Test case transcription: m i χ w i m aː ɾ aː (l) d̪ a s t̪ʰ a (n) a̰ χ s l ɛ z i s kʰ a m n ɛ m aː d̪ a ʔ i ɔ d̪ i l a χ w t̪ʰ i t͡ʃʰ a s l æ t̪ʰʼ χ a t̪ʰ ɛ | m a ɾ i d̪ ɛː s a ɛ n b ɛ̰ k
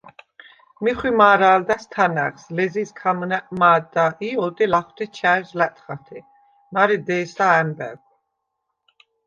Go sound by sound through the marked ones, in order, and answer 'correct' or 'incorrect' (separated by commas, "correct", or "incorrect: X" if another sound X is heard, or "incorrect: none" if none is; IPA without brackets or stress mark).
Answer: correct, correct